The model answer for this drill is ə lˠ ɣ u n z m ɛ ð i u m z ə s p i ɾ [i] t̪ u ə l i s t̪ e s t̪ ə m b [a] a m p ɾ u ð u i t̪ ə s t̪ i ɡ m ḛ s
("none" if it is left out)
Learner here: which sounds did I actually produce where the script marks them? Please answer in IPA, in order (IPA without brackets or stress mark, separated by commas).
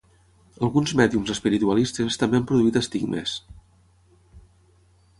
i, e